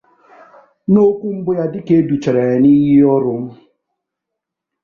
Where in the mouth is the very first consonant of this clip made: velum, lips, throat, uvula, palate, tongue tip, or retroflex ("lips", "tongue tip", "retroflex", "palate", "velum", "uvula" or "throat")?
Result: tongue tip